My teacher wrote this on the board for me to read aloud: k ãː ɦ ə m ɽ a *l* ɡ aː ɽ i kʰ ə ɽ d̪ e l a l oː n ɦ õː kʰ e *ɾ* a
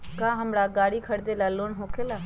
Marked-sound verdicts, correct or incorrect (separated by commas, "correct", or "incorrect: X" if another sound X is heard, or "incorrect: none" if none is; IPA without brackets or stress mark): incorrect: none, incorrect: l